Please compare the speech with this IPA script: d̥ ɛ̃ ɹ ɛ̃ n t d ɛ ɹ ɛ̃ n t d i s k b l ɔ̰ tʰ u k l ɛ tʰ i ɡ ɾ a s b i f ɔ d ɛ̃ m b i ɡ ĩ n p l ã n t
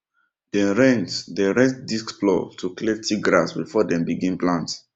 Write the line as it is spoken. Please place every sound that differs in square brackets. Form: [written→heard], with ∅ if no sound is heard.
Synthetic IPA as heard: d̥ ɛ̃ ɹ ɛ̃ n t d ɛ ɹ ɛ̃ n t d i s k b l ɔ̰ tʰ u k l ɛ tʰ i ɡ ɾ a s b i f ɔ d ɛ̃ m b i ɡ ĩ n p l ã n t